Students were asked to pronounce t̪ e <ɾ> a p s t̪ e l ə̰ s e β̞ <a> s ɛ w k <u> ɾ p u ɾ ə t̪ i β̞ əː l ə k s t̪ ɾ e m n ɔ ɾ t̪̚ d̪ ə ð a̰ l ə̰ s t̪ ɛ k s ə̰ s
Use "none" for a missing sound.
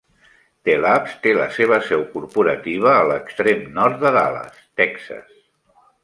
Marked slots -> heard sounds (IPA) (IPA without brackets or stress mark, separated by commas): l, ə, u